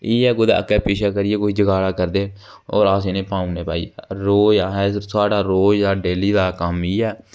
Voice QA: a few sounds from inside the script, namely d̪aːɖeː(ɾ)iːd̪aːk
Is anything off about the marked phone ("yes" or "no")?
yes